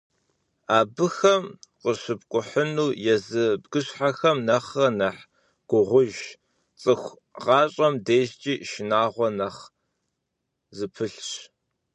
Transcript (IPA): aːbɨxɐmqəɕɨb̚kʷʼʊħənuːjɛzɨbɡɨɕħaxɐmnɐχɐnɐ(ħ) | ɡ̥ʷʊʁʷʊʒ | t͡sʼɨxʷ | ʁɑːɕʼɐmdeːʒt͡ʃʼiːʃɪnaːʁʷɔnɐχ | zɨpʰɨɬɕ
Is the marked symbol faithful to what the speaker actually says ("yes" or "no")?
yes